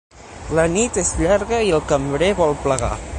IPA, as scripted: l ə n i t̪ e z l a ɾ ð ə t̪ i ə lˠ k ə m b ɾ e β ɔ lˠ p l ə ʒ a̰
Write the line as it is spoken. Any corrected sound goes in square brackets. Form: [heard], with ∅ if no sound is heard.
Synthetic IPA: l ə n i t̪ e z [ʎ] a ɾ [ɣ] ə [∅] i ə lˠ k ə m b ɾ e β ɔ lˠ p l ə [ɣ] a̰